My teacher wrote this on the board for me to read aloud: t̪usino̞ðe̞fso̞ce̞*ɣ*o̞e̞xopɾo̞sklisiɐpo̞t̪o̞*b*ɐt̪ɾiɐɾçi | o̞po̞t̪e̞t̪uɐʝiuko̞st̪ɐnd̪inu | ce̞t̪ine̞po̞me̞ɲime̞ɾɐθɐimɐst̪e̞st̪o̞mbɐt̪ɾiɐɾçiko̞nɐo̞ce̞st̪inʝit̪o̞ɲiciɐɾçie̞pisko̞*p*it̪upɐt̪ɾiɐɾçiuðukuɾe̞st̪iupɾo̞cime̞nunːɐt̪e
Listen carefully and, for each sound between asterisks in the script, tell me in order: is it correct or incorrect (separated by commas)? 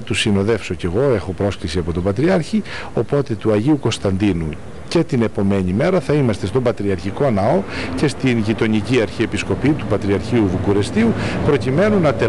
correct, correct, correct